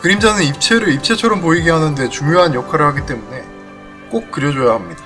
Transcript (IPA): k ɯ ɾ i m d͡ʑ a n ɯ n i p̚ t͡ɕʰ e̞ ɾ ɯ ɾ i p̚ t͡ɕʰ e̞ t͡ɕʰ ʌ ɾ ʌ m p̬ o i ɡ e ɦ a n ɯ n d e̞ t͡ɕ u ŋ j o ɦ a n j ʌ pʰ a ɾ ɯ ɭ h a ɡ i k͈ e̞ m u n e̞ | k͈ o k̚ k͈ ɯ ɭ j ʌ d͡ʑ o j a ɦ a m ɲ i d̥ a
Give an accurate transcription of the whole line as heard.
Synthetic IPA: k ɯ ɾ i m d͡ʑ a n ɯ n i p̚ t͡ɕʰ e̞ ɾ ɯ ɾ i p̚ t͡ɕʰ e̞ t͡ɕʰ ʌ ɾ ʌ m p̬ o i ɡ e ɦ a n ɯ n d e̞ t͡ɕ u ŋ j o ɦ a n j ʌ kʰ a ɾ ɯ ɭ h a ɡ i t͈ e̞ m u n e̞ | k͈ o k̚ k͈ ɯ ɾ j ʌ d͡ʑ o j a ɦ a m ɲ i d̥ a